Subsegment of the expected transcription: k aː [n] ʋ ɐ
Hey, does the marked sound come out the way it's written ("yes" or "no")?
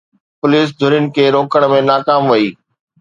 no